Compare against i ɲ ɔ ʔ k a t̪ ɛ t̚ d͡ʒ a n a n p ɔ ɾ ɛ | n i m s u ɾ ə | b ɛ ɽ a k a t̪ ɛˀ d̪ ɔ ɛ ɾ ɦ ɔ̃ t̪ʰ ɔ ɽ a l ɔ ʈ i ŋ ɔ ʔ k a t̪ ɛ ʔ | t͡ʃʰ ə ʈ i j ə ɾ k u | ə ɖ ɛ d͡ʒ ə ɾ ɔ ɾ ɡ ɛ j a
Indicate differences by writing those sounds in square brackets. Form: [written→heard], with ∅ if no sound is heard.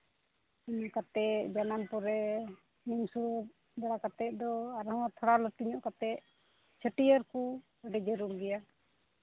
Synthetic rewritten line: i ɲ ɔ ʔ k a t̪ ɛ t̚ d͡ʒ a n a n p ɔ ɾ ɛ | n i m s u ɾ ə | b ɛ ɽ a k a t̪ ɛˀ d̪ ɔ [ɛ→a] ɾ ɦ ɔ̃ t̪ʰ ɔ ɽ a l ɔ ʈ i [ŋ→ɲ] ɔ ʔ k a t̪ ɛ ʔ | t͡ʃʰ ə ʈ i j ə ɾ k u | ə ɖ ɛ d͡ʒ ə ɾ [ɔ→u] ɾ ɡ ɛ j a